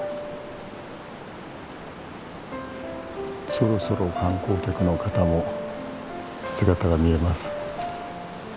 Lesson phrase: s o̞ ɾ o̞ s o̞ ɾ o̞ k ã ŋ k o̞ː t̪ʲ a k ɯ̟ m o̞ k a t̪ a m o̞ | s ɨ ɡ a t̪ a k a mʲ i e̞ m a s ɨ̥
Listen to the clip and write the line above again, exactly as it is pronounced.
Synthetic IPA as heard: s o̞ ɾ o̞ s o̞ ɾ o̞ k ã ŋ k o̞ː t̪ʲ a k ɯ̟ n o̞ k a t̪ a m o̞ | s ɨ ɡ a t̪ a ɡ a mʲ i e̞ m a s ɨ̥

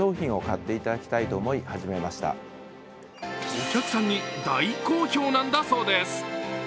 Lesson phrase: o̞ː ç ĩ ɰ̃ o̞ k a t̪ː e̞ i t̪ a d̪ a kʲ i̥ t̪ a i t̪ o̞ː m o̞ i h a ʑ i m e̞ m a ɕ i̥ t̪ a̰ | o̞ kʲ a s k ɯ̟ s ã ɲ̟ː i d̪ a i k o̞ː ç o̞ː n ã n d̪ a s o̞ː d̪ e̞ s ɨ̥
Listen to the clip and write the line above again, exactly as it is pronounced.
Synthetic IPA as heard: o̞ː ç ĩ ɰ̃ o̞ k a t̪ː e̞ i t̪ a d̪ a kʲ i̥ t̪ a i t̪ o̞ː m o̞ i h a ʑ i m e̞ m a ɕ i̥ t̪ a̰ | o̞ kʲ a k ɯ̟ s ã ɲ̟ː i d̪ a i k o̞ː ç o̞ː n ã n d̪ a s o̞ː d̪ e̞ s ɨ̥

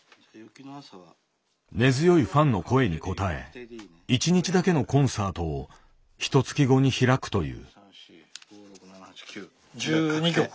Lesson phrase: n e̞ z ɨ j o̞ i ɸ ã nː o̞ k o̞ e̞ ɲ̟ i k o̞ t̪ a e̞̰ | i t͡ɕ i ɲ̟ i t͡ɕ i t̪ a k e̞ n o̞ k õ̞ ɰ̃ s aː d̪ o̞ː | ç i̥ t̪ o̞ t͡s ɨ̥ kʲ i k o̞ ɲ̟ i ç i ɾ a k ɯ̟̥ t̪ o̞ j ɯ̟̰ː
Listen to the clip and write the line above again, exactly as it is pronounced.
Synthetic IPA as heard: n e̞ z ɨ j o̞ i ɸ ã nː o̞ k o̞ e̞ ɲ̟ i k o̞ t̪ a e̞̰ | i t͡ɕ i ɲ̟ i t͡ɕ i d̪ a k e̞ n o̞ k õ̞ ɰ̃ s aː t̪ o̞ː | ç i̥ t̪ o̞ t͡s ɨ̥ kʲ i ɡ o̞ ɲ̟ i ç i ɾ a k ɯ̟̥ t̪ o̞ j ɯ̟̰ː

